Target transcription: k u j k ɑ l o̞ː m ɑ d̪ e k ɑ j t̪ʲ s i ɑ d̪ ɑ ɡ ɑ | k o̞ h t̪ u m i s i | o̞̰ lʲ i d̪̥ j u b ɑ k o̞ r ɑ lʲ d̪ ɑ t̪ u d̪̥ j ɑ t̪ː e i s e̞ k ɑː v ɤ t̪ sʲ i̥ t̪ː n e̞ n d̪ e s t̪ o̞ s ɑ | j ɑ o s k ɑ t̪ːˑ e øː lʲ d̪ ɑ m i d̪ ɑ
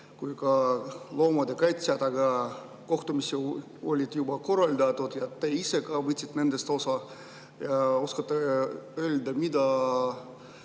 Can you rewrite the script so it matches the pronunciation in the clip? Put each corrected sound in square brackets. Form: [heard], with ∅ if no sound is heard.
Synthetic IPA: k u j k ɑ l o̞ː m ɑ d̪ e k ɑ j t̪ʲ s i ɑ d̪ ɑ ɡ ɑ | k o̞ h t̪ u m i s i | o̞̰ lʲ i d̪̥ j u b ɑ k o̞ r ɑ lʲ d̪ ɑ t̪ u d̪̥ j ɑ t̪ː e i s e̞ k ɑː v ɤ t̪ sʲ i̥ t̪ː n e̞ n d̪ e s t̪ o̞ s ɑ | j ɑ o s k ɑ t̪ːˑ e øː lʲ d̪ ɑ m i d̪ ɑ